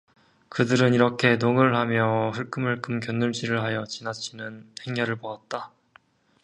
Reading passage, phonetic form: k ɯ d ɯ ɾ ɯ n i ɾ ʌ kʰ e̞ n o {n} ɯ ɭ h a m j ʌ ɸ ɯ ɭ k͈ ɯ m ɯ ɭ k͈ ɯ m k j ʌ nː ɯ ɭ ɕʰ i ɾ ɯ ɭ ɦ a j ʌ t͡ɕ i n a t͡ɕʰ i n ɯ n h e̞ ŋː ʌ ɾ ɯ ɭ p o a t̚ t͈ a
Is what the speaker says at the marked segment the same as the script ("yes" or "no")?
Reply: no